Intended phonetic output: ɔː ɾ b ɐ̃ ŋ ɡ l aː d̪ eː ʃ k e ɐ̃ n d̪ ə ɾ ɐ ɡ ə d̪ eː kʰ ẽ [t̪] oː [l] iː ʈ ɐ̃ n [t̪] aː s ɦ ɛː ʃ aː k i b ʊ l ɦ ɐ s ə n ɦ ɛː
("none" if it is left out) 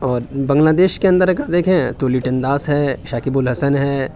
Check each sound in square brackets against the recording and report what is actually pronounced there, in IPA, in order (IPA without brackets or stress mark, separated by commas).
t̪, l, d̪